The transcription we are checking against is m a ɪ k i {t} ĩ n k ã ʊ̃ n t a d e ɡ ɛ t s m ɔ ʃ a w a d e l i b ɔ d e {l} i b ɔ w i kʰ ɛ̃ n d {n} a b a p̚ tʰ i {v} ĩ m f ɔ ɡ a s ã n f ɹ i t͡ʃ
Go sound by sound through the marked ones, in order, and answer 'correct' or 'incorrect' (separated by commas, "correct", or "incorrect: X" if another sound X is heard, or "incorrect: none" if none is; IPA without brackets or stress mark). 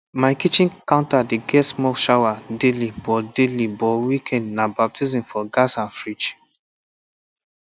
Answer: incorrect: t͡ʃ, correct, correct, incorrect: z